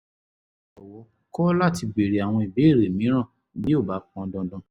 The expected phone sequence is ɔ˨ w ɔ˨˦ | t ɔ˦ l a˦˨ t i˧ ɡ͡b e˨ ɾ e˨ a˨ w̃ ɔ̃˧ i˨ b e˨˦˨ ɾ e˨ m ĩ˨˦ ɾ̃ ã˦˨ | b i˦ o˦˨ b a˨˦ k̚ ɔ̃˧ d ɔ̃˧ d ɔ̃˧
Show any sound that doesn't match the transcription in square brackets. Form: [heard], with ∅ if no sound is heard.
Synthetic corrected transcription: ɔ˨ w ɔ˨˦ | [k] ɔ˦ l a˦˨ t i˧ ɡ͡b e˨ ɾ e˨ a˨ w̃ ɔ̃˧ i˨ b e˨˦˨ ɾ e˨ m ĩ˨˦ ɾ̃ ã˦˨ | b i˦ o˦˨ b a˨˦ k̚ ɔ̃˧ d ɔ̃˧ d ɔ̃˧